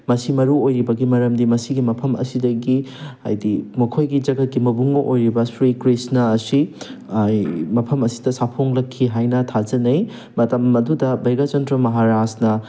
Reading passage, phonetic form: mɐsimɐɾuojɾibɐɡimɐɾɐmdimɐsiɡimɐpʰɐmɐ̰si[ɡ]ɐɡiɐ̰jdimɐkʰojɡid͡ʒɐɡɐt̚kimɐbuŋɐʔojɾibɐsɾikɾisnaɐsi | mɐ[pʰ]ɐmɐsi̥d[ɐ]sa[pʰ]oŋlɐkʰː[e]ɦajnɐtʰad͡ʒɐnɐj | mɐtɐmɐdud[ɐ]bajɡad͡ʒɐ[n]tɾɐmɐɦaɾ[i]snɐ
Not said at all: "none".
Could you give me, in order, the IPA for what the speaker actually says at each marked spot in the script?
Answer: d, pʰ, ɐ, pʰ, i, ɐ, n, a

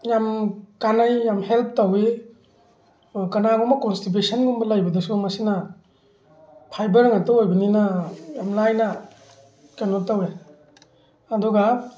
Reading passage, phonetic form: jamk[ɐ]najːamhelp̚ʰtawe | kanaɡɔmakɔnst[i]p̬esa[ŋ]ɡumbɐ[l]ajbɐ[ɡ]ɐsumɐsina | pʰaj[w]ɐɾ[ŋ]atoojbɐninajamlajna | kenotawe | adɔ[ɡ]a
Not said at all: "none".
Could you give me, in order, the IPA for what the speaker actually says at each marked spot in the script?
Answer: a, i, n, l, d, b, ŋ, ɡ

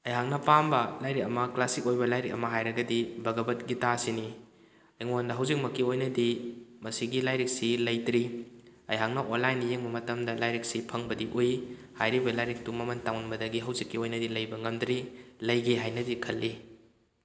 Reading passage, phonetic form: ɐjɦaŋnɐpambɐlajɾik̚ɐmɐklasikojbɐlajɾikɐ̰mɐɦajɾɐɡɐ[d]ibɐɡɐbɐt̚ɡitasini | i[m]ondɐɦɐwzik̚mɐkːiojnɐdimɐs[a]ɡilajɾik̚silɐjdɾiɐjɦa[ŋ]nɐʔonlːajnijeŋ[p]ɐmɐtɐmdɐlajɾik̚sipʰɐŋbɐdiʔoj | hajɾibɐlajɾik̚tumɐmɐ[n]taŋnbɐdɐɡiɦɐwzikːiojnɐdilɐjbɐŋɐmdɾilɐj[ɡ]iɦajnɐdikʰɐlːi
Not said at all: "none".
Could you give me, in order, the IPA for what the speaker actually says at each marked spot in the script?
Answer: d, ŋ, i, ŋ, b, n, ɡ

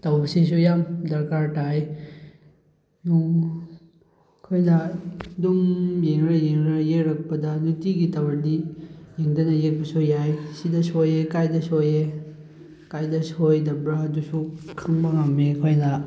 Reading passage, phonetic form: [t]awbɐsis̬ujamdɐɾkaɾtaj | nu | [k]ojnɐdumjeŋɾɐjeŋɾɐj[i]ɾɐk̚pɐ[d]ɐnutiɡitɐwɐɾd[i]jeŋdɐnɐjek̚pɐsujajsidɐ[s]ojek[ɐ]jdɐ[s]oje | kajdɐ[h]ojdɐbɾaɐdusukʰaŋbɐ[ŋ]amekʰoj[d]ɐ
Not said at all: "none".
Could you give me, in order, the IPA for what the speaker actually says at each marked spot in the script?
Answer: t, kʰ, e, d, i, s, a, s, s, ŋ, n

